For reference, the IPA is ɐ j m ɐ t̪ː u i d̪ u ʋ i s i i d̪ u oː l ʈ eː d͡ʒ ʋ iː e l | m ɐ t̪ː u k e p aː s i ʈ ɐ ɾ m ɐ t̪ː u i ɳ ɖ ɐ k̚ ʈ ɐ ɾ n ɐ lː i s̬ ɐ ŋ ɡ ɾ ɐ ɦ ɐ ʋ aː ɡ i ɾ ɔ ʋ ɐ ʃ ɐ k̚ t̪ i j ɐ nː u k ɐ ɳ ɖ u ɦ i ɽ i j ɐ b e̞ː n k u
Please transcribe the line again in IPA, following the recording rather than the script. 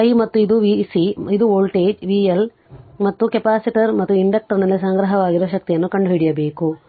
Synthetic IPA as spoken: ɐ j m ɐ t̪ː u i d̪ u ʋ i s i i d̪ u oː l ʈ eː d͡ʒ ʋ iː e l | m ɐ t̪ː u k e p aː s i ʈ ɐ ɾ m ɐ t̪ː u i ɳ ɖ ɐ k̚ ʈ ɐ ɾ n ɐ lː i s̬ ɐ ŋ ɡ ɾ ɐ ɦ ɐ ʋ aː ɡ i ɾ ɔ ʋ ɐ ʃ ɐ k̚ t̪ i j ɐ nː u k ɐ ɳ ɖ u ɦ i ɽ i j ɐ b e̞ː k u